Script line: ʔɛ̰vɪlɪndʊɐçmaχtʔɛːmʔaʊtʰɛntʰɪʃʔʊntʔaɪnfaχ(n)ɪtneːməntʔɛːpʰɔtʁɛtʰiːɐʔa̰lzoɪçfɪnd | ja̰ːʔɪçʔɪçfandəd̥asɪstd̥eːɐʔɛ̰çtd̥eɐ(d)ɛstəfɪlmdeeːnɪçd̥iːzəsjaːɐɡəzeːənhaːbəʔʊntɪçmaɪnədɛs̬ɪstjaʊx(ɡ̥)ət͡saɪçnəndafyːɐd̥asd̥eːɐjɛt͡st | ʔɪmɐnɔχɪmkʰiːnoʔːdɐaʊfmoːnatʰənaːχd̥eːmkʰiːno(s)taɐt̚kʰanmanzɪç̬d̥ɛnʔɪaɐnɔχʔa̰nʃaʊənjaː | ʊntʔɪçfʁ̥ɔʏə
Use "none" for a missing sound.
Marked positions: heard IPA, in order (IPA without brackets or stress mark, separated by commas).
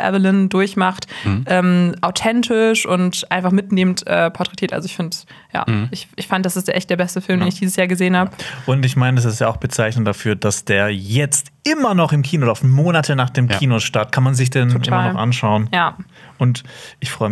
m, b, b̥, ʃ